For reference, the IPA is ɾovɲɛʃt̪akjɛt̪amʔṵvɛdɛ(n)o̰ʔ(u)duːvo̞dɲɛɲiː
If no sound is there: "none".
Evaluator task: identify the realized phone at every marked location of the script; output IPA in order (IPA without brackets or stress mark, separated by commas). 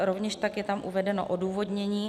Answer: n, o